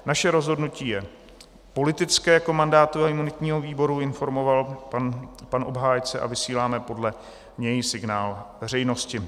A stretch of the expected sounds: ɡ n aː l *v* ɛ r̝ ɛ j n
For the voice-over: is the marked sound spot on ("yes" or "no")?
yes